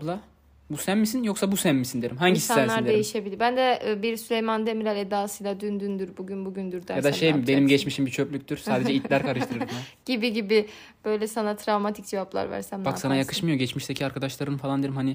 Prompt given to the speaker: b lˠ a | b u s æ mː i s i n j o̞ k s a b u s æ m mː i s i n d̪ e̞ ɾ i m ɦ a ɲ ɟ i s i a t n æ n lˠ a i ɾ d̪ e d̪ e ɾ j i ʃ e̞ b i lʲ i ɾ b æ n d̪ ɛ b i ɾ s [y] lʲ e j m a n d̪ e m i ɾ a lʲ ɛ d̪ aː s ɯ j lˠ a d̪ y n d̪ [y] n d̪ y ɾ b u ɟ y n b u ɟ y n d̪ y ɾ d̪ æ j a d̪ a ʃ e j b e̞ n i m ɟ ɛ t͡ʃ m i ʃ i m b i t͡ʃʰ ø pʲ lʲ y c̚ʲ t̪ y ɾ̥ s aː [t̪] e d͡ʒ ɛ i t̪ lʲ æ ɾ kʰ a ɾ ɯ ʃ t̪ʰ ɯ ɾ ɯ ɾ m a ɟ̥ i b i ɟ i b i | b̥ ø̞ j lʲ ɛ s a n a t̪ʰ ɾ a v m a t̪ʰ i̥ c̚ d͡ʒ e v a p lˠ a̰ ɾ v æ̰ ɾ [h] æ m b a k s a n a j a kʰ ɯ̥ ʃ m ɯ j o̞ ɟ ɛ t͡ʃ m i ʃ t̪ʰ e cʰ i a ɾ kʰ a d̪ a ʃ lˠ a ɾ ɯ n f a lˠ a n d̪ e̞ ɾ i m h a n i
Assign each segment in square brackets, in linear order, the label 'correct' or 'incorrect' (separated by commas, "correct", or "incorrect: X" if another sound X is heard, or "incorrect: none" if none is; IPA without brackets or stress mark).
correct, correct, incorrect: d̪, incorrect: s